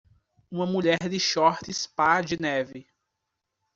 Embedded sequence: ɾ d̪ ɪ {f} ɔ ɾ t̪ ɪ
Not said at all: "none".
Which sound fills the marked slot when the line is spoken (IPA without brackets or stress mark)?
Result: ʃ